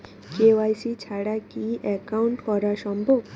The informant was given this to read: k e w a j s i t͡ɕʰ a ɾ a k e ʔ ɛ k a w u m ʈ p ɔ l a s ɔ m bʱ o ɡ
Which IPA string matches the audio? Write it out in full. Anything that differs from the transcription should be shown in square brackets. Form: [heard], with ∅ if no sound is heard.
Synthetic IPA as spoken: k e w a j s i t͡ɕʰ a [ɽ] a k [i] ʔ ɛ k a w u [ɳ] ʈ [k] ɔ [ɾ] a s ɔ m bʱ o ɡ